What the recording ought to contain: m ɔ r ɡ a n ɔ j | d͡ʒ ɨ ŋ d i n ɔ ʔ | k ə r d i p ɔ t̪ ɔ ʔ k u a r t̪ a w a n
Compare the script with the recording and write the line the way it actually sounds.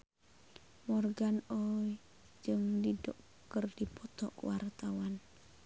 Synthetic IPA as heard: m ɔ r ɡ a n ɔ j | d͡ʒ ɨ ŋ d i d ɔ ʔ | k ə r d i p ɔ t̪ ɔ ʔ k w a r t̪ a w a n